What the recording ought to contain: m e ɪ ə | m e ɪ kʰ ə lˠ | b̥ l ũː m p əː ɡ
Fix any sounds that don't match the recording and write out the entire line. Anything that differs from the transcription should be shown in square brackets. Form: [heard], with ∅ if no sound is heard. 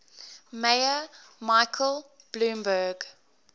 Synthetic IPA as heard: m e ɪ ə | m [a] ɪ kʰ ə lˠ | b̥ l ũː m [b] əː ɡ